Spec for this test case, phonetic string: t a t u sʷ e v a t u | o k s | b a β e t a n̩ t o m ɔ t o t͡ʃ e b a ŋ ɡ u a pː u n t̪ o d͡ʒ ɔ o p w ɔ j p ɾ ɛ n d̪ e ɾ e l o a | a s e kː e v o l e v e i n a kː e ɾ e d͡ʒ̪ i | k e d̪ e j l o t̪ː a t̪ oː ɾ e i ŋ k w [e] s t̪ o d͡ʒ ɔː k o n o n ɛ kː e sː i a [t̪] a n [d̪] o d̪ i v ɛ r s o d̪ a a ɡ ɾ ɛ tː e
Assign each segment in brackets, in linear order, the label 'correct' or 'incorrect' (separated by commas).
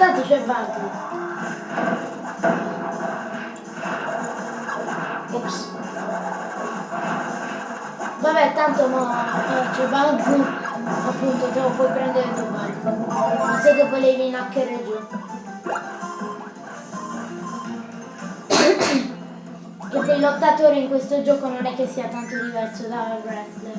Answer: correct, correct, incorrect